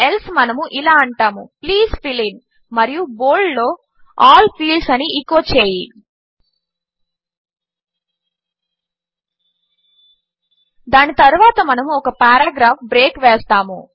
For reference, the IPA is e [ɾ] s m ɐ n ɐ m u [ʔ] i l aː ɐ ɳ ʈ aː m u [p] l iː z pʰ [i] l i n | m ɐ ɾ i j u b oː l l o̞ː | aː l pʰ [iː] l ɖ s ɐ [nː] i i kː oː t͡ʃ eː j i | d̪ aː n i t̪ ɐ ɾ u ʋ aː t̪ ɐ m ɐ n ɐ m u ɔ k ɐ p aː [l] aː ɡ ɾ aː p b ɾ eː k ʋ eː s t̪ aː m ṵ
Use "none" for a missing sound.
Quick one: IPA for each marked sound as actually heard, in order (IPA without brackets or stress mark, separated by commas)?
l, ʔ, p, i, iː, n, ɾ